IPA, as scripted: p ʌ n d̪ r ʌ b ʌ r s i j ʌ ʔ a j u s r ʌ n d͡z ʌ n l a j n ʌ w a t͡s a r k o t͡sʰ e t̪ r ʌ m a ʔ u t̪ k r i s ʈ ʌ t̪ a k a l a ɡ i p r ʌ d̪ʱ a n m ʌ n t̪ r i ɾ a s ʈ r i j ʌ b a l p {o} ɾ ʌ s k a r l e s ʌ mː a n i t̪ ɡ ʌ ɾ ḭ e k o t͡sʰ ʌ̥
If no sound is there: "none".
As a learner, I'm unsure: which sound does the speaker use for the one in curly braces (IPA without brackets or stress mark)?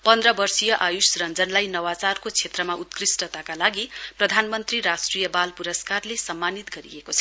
u